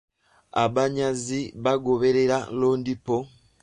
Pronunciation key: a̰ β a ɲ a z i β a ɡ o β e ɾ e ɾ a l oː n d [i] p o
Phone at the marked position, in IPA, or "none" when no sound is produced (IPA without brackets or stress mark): i